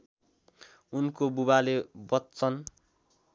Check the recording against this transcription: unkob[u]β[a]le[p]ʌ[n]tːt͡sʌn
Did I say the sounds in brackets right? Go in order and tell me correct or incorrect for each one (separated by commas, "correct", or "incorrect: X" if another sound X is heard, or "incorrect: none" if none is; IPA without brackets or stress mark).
correct, correct, incorrect: b, incorrect: none